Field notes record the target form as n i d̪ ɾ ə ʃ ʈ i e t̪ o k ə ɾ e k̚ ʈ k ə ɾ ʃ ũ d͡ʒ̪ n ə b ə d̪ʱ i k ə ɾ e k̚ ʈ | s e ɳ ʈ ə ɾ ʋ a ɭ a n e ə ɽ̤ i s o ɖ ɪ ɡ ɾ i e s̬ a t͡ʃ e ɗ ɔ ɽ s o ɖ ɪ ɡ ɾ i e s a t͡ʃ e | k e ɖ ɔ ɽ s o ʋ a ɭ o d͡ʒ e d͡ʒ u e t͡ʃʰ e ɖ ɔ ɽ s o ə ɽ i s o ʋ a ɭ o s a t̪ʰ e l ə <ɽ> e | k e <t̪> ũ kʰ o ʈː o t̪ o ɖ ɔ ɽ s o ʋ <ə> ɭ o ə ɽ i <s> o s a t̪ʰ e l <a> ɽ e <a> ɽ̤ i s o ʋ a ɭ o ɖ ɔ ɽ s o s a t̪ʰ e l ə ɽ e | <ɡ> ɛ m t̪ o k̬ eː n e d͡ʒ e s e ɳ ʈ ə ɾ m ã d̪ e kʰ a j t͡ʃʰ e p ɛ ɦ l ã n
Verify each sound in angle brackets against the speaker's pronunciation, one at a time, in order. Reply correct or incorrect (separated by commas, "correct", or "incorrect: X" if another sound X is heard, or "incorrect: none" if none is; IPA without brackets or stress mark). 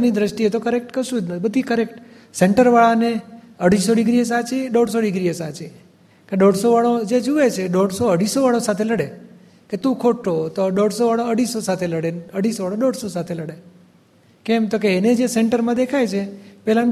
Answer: correct, correct, incorrect: a, correct, incorrect: ə, incorrect: ə, incorrect: k